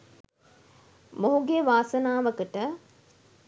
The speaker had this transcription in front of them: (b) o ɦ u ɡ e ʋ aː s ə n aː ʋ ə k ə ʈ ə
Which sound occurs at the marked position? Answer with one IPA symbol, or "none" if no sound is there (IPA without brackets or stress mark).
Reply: m